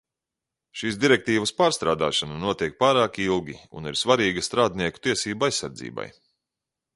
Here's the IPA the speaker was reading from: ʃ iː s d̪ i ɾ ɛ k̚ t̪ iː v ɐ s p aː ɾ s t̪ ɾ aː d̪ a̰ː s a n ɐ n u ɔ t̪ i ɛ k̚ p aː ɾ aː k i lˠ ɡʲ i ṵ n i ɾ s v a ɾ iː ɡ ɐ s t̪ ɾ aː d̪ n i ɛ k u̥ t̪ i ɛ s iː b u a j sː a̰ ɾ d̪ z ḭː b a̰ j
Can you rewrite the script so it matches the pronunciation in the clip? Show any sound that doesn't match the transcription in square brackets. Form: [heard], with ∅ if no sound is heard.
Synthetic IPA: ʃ iː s d̪ i ɾ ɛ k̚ t̪ iː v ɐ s p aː ɾ s t̪ ɾ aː d̪ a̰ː [ʃ] a n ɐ n u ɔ t̪ i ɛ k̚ p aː ɾ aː k i lˠ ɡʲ i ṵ n i ɾ s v a ɾ iː ɡ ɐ s t̪ ɾ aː d̪ n i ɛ k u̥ t̪ i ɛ s iː b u a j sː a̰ ɾ d̪ z ḭː b a̰ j